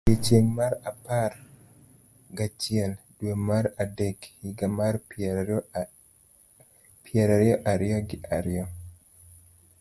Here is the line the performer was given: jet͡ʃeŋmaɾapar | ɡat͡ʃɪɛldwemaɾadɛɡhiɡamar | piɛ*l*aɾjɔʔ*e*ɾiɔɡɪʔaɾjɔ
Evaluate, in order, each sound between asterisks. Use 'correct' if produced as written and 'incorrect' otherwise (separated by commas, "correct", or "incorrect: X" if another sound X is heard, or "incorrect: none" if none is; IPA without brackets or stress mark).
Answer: incorrect: ɾ, incorrect: a